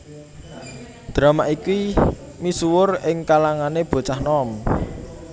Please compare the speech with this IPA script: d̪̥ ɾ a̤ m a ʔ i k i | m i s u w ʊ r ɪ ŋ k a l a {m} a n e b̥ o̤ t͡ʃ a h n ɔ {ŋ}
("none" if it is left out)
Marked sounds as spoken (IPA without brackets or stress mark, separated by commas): ŋ, m